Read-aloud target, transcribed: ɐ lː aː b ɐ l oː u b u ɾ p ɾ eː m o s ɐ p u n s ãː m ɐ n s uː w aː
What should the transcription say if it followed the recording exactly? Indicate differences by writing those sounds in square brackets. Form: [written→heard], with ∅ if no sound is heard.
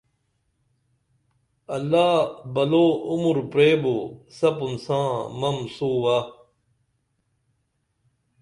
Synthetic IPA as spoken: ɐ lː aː b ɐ l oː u [b→m] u ɾ p ɾ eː [m→b] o s ɐ p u n s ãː m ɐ [n→m] s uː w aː